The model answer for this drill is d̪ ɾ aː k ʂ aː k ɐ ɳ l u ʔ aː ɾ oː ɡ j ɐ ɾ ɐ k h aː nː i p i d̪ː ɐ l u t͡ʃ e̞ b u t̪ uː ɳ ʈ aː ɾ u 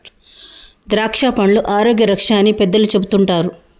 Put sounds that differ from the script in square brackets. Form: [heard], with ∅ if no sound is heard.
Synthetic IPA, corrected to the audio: d̪ ɾ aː k ʂ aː [p] ɐ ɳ l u ʔ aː ɾ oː ɡ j ɐ ɾ ɐ k [ʂ] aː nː i p [ɛ] d̪ː ɐ l u t͡ʃ e̞ b u t̪ [u] ɳ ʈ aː ɾ u

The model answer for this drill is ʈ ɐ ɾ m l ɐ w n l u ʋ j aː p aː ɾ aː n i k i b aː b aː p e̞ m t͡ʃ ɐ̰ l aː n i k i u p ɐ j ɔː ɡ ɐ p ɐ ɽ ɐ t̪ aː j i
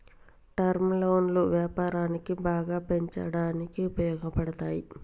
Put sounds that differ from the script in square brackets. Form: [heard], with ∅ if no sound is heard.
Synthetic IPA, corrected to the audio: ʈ ɐ ɾ m l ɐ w n l u ʋ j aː p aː ɾ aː n i k i b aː [ɡ] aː p e̞ [ɲ] t͡ʃ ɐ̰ [ɽ] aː n i k i u p ɐ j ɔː ɡ ɐ p ɐ ɽ ɐ t̪ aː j i

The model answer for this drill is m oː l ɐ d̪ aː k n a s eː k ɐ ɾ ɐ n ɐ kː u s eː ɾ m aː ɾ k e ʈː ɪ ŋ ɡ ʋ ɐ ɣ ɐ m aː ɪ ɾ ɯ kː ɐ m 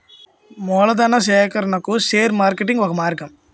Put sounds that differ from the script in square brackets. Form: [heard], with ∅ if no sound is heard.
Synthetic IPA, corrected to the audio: m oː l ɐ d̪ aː [∅] n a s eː k ɐ ɾ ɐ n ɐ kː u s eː ɾ m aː ɾ k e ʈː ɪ ŋ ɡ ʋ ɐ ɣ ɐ m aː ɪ ɾ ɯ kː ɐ m

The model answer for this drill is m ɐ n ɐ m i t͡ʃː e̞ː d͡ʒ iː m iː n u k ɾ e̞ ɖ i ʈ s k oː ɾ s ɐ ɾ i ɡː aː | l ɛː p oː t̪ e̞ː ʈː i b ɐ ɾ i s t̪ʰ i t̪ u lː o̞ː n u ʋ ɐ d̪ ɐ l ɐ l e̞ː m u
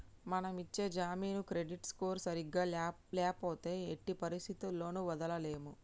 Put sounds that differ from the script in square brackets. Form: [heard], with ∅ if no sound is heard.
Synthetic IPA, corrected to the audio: m ɐ n ɐ m i t͡ʃː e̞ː d͡ʒ [aː] m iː n u k ɾ e̞ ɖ i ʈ s k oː ɾ s ɐ ɾ i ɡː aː | l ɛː p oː t̪ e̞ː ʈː i [p] ɐ ɾ i s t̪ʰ i t̪ u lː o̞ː n u ʋ ɐ d̪ ɐ l ɐ l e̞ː m u

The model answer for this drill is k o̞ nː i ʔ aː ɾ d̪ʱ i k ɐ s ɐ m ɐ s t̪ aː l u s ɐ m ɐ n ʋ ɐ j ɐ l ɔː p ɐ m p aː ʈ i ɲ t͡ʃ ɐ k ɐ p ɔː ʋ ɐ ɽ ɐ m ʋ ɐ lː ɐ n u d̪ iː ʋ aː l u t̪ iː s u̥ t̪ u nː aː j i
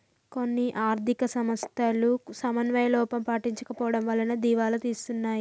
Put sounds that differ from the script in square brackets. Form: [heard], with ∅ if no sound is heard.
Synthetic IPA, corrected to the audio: k o̞ nː i ʔ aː ɾ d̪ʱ i k ɐ s ɐ m ɐ s t̪ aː l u s ɐ m ɐ n ʋ ɐ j ɐ l ɔː p ɐ m p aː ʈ i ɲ t͡ʃ ɐ k ɐ p ɔː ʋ ɐ ɽ ɐ m ʋ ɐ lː ɐ n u d̪ iː ʋ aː l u t̪ iː s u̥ t̪ u nː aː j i

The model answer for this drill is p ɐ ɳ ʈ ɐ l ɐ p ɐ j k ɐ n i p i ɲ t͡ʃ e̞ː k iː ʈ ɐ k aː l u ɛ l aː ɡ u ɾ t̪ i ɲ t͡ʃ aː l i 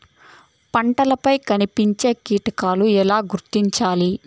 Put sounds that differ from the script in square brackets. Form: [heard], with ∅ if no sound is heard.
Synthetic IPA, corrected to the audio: p ɐ ɳ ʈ ɐ l ɐ p ɐ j k ɐ n i p i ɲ t͡ʃ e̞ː k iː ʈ ɐ k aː l u ɛ l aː ɡ u ɾ t̪ i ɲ t͡ʃ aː l i

